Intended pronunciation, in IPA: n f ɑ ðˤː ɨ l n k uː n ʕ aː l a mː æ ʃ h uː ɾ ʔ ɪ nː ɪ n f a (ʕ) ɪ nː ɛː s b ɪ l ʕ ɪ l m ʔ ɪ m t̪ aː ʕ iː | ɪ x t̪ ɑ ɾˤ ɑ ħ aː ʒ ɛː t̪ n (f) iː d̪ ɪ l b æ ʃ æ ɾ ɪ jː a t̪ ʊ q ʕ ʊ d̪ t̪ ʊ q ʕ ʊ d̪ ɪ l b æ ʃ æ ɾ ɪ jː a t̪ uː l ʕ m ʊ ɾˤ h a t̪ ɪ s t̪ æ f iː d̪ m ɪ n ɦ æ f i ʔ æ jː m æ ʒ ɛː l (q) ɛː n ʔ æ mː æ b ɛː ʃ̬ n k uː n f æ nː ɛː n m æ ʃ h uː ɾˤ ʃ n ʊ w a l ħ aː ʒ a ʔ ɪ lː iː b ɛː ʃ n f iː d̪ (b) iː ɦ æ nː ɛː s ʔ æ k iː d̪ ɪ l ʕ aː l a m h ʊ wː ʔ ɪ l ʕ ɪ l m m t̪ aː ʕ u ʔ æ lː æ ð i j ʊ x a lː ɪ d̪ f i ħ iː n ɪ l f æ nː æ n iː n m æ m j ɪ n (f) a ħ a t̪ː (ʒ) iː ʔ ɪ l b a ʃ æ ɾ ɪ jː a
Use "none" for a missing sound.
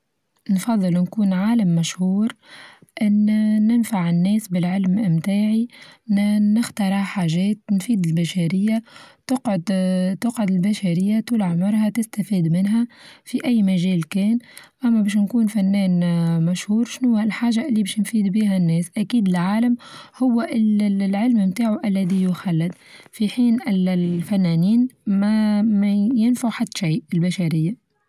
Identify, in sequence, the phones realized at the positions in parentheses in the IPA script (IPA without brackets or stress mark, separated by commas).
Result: ʕ, f, k, b, f, ʃ